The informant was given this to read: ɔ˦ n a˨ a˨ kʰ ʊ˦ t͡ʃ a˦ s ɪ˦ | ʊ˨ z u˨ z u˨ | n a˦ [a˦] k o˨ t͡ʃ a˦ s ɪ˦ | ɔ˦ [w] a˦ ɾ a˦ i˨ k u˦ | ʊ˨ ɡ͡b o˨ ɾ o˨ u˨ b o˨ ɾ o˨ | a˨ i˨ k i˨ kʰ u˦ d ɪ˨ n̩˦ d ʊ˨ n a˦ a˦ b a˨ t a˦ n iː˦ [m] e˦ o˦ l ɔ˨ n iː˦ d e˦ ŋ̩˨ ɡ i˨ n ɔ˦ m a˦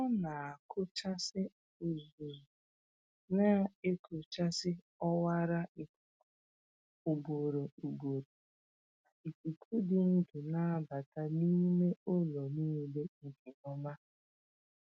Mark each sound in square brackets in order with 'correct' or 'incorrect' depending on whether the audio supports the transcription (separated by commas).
incorrect, correct, correct